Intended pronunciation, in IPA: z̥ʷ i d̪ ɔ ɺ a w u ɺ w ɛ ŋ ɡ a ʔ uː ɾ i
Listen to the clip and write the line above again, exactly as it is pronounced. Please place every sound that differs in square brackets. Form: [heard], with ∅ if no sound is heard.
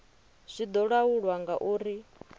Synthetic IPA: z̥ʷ i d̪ ɔ ɺ a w u ɺ w [a] ŋ ɡ a ʔ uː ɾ i